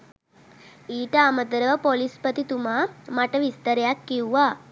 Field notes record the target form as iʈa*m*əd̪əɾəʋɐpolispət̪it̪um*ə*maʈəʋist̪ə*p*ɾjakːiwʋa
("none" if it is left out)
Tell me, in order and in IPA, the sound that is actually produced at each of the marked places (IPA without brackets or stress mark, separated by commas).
m, a, none